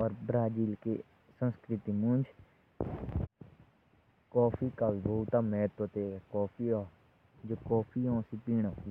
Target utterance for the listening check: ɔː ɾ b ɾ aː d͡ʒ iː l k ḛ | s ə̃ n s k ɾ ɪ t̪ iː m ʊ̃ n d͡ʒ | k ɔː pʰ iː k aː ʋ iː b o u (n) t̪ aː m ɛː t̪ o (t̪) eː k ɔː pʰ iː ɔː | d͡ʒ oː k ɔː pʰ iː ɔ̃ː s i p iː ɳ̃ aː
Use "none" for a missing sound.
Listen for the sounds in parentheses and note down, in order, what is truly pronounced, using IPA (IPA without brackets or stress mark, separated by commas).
none, t̪